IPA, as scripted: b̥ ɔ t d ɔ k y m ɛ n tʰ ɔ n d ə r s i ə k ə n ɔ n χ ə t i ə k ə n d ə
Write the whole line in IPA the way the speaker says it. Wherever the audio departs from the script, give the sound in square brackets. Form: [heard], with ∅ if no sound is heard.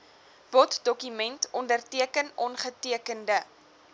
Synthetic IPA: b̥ ɔ t d ɔ k y m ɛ n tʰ ɔ n d ə r [t] i ə k ə n ɔ n χ ə t i ə k ə n d ə